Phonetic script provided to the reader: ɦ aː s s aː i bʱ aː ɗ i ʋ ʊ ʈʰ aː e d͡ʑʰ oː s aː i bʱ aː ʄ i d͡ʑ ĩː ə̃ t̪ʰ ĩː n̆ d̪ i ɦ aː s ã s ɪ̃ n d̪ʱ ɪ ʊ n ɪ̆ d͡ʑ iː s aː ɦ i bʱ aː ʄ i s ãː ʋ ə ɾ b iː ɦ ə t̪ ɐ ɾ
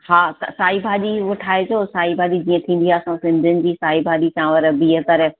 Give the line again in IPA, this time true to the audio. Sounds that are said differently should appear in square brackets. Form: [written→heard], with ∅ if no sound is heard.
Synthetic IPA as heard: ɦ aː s s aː i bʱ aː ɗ i ʋ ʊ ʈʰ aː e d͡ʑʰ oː s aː i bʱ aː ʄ i d͡ʑ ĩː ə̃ t̪ʰ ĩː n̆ d̪ i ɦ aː s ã s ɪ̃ n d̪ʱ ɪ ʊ n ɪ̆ d͡ʑ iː s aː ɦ i bʱ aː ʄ i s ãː ʋ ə ɾ b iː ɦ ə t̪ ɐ ɾ